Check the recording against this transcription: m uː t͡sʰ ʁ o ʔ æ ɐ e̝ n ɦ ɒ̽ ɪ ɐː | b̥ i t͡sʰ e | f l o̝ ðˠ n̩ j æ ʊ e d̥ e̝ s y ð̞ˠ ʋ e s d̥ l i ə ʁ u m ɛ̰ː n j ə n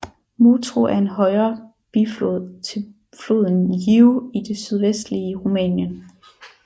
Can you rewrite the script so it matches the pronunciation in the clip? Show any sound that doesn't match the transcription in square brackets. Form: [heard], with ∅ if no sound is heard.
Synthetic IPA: m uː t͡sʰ ʁ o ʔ æ ɐ e̝ n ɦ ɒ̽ ɪ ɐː | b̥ i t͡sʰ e | f l o̝ ðˠ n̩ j [i] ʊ [i] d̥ e̝ s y ð̞ˠ ʋ e s d̥ l i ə ʁ u m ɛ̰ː n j ə n

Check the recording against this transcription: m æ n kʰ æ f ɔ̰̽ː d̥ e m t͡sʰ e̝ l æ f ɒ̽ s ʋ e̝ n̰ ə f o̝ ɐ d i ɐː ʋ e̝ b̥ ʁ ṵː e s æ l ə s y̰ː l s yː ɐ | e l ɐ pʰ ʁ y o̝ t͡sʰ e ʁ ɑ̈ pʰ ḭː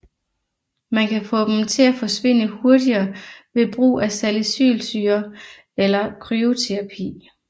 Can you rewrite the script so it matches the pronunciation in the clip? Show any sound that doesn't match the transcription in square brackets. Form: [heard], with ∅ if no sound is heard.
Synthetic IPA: m æ n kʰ æ f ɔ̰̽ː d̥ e m t͡sʰ e̝ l æ f ɒ̽ s ʋ e̝ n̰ ə [h] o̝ ɐ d i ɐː ʋ e̝ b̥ ʁ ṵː [æ] s æ l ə s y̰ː l s yː ɐ | e l ɐ [kʰ] ʁ y o̝ t͡sʰ e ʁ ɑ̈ pʰ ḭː

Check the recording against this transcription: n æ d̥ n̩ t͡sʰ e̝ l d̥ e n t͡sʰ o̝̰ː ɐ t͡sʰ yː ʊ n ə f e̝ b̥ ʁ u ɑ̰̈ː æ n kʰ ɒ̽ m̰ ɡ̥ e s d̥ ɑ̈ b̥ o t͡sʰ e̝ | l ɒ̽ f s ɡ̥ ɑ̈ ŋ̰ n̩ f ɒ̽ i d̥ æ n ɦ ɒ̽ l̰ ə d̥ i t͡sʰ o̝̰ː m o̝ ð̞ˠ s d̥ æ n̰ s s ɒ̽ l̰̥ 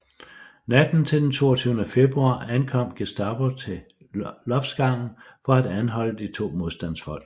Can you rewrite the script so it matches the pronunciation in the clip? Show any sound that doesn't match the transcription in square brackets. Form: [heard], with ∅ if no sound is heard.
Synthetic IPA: n æ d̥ n̩ t͡sʰ e̝ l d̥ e n t͡sʰ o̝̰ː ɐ t͡sʰ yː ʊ n ə f e̝ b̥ ʁ u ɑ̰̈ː æ n kʰ ɒ̽ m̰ ɡ̥ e s d̥ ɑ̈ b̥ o t͡sʰ e̝ | l ɒ̽ f s ɡ̥ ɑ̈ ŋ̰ n̩ f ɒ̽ [æ] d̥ æ n ɦ ɒ̽ l̰ ə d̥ i t͡sʰ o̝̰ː m o̝ ð̞ˠ s d̥ æ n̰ s [f] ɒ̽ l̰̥

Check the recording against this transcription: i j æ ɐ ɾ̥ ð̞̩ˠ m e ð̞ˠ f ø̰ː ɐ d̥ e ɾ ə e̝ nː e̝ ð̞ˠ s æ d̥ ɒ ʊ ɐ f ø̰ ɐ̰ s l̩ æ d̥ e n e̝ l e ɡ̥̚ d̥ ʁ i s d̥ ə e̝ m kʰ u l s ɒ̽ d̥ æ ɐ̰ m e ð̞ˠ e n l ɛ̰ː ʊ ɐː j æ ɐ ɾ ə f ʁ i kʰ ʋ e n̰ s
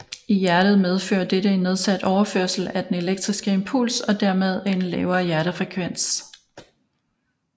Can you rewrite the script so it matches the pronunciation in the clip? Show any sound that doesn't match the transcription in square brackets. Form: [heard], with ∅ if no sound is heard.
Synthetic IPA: i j æ ɐ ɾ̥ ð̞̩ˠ m e ð̞ˠ f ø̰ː ɐ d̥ e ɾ ə e̝ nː e̝ ð̞ˠ s æ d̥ ɒ ʊ ɐ f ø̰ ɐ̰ s l̩ æ d̥ e n e̝ l e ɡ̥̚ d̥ ʁ i s [ɡ̥] ə e̝ m [pʰ] u l s ɒ̽ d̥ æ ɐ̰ m e ð̞ˠ e n l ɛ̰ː ʊ ɐː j æ ɐ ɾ ə f ʁ [ɛ] kʰ ʋ e n̰ s

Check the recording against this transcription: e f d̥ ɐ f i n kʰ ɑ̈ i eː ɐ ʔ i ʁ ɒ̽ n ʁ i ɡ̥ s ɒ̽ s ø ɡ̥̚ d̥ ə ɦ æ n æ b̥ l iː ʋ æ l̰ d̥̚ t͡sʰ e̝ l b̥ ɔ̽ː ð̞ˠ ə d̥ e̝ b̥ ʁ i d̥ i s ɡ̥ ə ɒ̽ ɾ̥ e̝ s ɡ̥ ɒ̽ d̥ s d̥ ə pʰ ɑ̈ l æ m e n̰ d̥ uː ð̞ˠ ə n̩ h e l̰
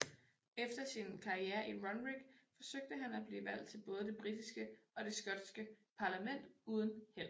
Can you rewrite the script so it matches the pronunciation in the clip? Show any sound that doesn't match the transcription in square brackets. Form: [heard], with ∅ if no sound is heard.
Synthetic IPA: e f d̥ ɐ [s] i n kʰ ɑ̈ i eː ɐ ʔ i ʁ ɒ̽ n ʁ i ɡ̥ [f] ɒ̽ s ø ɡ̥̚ d̥ ə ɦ æ n æ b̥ l iː ʋ æ l̰ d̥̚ t͡sʰ e̝ l b̥ ɔ̽ː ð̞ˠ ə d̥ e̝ b̥ ʁ i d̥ i s ɡ̥ ə ɒ̽ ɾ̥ e̝ s ɡ̥ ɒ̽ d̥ s [ɡ̥] ə pʰ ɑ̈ l æ m e n̰ d̥ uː ð̞ˠ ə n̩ h e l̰

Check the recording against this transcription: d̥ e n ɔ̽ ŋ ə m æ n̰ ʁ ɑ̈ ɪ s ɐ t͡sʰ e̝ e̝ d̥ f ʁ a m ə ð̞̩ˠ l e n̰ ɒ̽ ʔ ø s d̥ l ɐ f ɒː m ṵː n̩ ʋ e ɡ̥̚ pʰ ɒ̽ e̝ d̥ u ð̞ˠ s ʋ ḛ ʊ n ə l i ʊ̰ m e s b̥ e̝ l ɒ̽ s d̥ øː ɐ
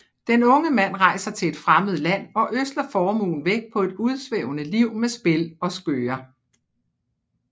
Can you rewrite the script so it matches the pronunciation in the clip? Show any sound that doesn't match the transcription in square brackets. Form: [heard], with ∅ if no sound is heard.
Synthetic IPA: d̥ e n ɔ̽ ŋ ə m æ n̰ ʁ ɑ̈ ɪ s ɐ t͡sʰ e̝ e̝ d̥ f ʁ a m ə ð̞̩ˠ l [æ] n̰ ɒ̽ ʔ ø s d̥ l ɐ f ɒː m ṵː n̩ ʋ e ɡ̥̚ pʰ ɒ̽ e̝ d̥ u ð̞ˠ s ʋ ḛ ʊ n ə l i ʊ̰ m e s b̥ e̝ l ɒ̽ s [ɡ̥] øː ɐ

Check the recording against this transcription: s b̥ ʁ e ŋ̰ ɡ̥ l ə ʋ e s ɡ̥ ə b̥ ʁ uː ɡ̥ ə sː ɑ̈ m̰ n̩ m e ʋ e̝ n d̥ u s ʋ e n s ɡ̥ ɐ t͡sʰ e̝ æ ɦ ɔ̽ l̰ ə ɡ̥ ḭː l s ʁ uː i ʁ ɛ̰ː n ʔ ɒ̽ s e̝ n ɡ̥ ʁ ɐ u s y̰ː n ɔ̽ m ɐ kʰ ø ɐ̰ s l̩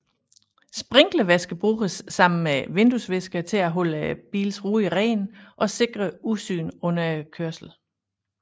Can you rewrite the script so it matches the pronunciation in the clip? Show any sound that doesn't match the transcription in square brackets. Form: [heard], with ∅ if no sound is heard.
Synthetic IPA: s b̥ ʁ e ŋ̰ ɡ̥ l ə ʋ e s ɡ̥ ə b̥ ʁ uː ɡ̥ ə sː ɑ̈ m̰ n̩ m e ʋ e̝ n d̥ u s ʋ e [∅] s ɡ̥ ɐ t͡sʰ e̝ æ ɦ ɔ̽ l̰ ə [b̥] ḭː l s ʁ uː i ʁ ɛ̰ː n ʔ ɒ̽ s e̝ [∅] ɡ̥ ʁ ɐ u s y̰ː n ɔ̽ [n] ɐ kʰ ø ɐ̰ s l̩

